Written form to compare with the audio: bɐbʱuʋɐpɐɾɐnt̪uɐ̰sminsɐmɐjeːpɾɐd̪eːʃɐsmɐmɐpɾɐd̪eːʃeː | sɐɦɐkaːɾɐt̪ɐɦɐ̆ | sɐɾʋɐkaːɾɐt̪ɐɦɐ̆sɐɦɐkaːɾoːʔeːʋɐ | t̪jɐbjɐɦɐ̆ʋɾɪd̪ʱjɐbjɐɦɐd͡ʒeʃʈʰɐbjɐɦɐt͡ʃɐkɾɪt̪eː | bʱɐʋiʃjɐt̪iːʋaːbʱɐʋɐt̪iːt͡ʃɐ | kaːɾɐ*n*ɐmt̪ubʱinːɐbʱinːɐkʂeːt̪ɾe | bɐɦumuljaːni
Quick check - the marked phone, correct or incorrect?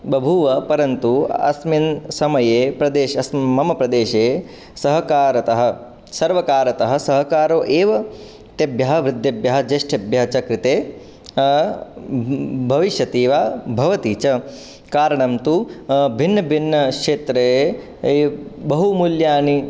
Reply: incorrect